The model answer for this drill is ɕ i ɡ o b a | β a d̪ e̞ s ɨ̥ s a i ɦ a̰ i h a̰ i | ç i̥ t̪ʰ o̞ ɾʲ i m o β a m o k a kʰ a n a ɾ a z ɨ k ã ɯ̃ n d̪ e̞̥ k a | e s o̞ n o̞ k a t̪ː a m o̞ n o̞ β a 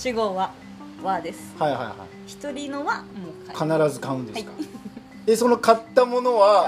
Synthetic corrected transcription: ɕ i ɡ o β a | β a d̪ e̞ s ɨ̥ h a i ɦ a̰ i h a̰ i | ç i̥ t̪ o̞ ɾʲ i n o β a m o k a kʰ a n a ɾ a z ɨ k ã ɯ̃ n d̪ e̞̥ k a | e s o̞ n o̞ k a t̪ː a m o̞ n o̞ β a